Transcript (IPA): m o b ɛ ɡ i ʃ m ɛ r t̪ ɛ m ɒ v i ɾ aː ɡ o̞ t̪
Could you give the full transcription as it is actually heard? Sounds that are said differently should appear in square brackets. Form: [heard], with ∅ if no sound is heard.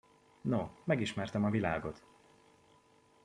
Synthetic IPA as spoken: [n] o [m] ɛ ɡ i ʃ m ɛ r t̪ ɛ m ɒ v i [l] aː ɡ o̞ t̪